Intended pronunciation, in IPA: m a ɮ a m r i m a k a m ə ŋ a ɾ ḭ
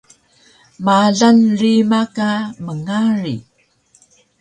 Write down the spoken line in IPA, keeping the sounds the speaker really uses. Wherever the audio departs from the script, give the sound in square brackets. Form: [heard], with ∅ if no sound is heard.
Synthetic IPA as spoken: m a ɮ a [n] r i m a k a m ə ŋ a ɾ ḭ